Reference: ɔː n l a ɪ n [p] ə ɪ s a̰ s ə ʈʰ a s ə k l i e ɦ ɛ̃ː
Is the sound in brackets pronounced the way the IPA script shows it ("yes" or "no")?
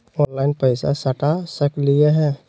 yes